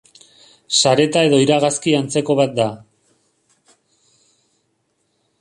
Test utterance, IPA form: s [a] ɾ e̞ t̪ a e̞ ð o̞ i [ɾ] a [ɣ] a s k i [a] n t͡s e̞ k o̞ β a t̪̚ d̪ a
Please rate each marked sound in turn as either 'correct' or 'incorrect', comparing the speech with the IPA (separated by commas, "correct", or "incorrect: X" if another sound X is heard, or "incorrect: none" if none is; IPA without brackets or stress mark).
correct, correct, correct, correct